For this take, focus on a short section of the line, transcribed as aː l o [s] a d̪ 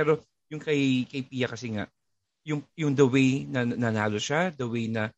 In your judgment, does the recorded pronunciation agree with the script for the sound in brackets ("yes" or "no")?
no